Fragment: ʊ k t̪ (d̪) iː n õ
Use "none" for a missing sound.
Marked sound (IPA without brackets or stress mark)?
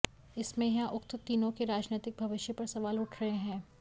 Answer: t̪